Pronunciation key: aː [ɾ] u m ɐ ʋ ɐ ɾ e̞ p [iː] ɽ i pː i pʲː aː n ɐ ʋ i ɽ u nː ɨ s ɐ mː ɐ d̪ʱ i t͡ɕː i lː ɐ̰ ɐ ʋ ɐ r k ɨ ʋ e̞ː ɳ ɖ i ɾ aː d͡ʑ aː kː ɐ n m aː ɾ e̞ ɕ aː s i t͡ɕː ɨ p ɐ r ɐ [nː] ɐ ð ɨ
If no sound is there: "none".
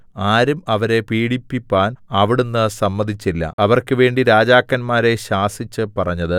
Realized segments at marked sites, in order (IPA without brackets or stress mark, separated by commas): ɾ, iː, ɲː